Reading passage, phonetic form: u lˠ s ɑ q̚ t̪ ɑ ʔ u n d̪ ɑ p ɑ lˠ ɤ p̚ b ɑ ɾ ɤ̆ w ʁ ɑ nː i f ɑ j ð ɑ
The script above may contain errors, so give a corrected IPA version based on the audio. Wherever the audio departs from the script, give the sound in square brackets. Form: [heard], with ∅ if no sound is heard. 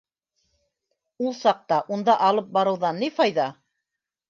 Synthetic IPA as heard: u lˠ s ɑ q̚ t̪ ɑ ʔ u n d̪ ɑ [ʔ] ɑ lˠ ɤ p̚ b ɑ ɾ ɤ̆ w [ð] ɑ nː i f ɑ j ð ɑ